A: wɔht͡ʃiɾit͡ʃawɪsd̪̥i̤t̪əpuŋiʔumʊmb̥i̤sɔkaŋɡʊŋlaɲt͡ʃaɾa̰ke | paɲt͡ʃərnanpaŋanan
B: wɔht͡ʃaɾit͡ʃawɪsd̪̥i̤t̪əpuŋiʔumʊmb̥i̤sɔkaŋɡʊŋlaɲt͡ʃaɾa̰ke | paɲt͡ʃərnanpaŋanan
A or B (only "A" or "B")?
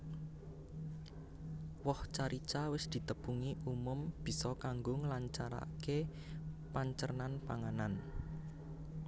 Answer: B